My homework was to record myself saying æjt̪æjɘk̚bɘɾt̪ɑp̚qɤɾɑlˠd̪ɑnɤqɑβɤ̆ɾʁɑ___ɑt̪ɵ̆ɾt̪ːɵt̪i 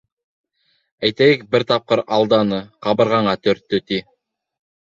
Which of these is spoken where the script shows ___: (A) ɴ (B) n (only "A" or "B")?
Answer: A